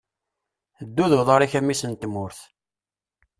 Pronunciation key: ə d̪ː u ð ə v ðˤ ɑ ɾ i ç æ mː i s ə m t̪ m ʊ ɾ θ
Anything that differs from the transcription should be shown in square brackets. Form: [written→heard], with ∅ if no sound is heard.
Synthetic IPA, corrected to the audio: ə d̪ː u ð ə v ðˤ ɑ ɾ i ç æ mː i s ə [m→n] t̪ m ʊ ɾ θ